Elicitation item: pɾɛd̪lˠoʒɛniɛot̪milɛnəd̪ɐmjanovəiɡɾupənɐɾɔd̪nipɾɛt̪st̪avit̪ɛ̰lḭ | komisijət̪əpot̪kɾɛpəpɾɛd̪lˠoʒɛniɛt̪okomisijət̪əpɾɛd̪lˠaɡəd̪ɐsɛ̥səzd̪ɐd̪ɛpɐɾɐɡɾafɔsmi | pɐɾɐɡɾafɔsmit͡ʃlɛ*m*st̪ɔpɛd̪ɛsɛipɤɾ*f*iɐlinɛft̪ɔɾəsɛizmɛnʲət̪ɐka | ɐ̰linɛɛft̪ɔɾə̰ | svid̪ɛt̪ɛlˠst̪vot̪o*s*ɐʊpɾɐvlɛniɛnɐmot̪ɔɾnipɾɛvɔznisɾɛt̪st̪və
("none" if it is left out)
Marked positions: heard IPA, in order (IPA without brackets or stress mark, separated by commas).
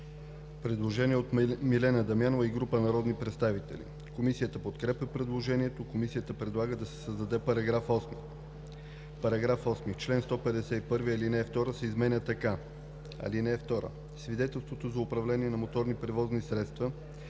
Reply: n, v, z